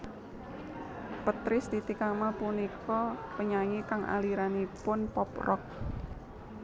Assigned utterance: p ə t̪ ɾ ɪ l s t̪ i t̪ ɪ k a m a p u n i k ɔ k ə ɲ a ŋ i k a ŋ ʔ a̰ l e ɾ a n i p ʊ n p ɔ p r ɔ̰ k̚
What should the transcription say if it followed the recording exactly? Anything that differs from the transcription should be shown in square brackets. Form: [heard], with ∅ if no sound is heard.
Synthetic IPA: p ə t̪ ɾ ɪ [∅] s t̪ i t̪ [i] k a m a p u n i k ɔ [p] ə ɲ a ŋ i k a ŋ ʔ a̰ l [i] ɾ a n i p ʊ n p ɔ p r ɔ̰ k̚